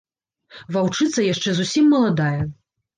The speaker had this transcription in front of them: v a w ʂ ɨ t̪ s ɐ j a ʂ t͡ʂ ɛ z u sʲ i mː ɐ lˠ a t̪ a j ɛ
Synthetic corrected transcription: v a w t͡ʂ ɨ t̪ s ɐ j a ʂ t͡ʂ ɛ z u sʲ i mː ɐ lˠ a d̪ a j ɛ